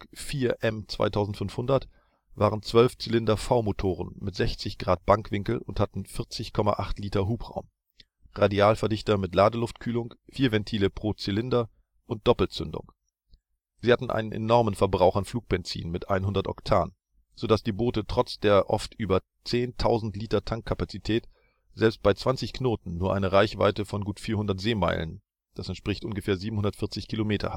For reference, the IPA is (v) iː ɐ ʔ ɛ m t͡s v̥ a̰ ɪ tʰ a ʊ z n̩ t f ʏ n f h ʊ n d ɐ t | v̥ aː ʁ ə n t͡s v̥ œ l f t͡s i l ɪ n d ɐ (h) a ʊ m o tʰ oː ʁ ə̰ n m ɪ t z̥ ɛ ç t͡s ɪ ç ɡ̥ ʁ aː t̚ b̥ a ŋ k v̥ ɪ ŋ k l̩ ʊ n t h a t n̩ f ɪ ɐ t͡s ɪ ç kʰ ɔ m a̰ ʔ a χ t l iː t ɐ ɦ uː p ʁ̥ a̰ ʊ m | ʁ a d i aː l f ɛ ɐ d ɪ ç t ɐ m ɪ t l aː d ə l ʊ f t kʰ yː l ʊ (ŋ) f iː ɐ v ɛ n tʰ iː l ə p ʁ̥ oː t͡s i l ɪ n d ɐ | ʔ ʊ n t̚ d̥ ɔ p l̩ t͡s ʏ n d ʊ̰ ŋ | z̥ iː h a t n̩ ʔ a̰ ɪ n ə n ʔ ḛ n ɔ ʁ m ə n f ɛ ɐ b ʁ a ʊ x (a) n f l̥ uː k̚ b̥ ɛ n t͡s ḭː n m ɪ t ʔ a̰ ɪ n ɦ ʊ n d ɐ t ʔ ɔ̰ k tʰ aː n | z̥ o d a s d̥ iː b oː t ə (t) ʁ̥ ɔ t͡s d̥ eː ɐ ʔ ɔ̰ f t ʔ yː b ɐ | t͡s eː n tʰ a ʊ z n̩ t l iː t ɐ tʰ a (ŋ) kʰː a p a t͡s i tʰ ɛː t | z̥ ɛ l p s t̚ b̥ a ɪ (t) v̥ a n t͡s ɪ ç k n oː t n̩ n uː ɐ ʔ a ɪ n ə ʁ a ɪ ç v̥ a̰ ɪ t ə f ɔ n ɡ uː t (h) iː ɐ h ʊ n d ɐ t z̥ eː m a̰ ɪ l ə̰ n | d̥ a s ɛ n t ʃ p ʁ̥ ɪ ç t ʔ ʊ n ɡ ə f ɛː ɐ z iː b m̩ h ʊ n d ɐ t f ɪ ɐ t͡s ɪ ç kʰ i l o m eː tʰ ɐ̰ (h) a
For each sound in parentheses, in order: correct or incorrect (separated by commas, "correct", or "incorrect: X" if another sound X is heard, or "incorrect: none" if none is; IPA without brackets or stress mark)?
incorrect: f, incorrect: f, correct, correct, correct, correct, incorrect: t͡s, incorrect: f, correct